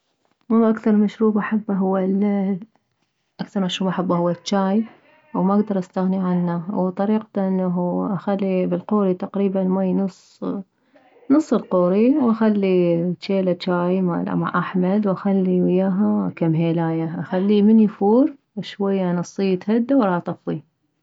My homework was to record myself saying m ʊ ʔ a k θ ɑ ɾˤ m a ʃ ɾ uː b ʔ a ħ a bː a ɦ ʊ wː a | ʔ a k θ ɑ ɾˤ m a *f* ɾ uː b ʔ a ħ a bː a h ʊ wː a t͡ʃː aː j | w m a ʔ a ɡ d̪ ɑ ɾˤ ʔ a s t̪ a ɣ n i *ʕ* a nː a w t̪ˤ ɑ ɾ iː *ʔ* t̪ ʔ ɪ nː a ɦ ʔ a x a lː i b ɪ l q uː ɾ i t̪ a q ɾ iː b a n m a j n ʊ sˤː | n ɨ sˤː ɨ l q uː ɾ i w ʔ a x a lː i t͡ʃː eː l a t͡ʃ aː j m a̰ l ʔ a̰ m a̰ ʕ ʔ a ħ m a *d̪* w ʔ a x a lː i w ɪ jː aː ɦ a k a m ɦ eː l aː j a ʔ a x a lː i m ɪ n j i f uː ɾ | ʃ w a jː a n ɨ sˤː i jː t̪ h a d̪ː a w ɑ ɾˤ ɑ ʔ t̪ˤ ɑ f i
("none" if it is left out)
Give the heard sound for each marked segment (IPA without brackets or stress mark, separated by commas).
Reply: ʃ, ʕ, q, d̪